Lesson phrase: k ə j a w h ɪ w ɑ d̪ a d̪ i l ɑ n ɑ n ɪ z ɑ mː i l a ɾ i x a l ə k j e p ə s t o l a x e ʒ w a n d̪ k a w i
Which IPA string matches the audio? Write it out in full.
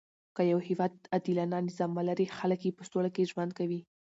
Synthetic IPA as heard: k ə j a w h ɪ w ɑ d̪ a d̪ i l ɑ n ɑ n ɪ z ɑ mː a l a ɾ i x a l ə k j e p ə s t o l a k e ʒ w a n d̪ k a w i